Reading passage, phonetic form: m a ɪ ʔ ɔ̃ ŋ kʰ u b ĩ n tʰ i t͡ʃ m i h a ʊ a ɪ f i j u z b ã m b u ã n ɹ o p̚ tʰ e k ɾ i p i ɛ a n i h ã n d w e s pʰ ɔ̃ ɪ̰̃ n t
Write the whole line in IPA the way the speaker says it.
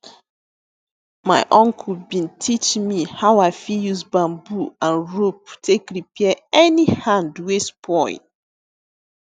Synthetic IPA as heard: m a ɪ ʔ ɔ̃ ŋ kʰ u b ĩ n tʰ i t͡ʃ m i h a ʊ a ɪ f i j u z b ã m b u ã n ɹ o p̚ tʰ e k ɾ i p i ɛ ɛ n i h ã n d w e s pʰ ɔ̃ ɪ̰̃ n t